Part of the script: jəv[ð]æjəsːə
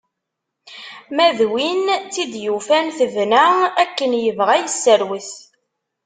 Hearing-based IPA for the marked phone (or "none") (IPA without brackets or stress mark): ʁ